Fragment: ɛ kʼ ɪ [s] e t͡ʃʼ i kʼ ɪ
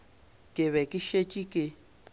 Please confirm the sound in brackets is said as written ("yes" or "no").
no